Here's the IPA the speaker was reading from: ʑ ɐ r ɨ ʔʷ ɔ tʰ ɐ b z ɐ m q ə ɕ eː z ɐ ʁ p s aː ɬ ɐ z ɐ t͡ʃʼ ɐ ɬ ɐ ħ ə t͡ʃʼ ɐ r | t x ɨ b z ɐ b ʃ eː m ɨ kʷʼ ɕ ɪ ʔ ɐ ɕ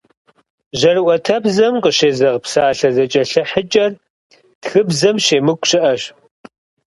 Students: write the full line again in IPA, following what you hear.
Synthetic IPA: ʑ ɐ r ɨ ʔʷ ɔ tʰ ɐ b z ɐ m q ə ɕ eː z ɐ ʁ p s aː ɬ ɐ z ɐ t͡ʃʼ ɐ ɬ ɐ ħ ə t͡ʃʼ ɐ r | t x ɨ b z ɐ m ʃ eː m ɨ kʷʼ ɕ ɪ ʔ ɐ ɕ